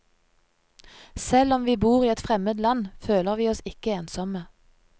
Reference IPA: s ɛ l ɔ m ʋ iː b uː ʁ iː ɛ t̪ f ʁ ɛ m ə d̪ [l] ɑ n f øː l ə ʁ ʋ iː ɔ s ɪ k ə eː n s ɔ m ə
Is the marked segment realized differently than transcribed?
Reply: no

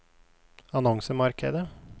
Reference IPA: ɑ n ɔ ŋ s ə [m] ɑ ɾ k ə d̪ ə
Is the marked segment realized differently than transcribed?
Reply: no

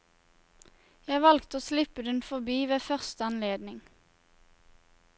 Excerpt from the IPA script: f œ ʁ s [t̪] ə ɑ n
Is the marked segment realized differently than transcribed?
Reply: no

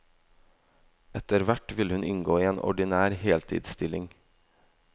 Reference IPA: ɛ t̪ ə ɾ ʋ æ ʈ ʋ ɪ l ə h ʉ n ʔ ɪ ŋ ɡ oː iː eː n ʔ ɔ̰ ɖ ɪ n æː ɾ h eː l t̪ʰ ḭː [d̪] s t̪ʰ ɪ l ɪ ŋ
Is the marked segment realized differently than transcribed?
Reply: no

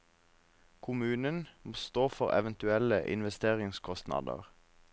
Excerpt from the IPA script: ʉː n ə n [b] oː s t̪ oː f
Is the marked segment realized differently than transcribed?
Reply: yes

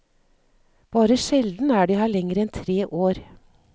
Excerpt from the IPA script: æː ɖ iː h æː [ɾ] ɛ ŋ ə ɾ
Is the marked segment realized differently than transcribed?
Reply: yes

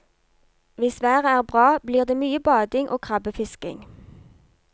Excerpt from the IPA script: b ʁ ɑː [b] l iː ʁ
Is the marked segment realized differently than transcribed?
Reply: no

